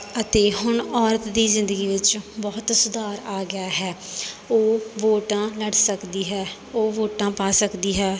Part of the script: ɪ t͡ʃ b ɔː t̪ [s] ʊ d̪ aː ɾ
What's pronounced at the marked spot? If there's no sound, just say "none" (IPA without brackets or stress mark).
s